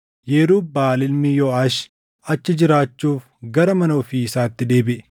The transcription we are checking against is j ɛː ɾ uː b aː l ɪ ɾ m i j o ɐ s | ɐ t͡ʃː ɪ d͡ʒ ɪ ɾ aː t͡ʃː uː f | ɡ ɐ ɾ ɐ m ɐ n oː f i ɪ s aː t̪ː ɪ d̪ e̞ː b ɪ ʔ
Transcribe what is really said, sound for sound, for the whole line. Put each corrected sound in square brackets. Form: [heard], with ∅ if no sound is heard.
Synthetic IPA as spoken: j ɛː ɾ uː b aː l ɪ [l] m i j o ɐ [ʃ] | ɐ t͡ʃː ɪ d͡ʒ ɪ ɾ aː t͡ʃː uː f | ɡ ɐ ɾ ɐ m ɐ n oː f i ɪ s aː t̪ː ɪ d̪ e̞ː b ɪ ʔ